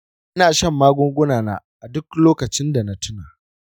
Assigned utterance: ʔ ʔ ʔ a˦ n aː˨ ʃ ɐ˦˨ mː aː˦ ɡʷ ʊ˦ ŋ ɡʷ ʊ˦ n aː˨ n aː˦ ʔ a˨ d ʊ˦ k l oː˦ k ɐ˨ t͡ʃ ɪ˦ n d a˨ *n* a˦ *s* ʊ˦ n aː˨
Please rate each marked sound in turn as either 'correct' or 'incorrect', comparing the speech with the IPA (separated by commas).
correct, incorrect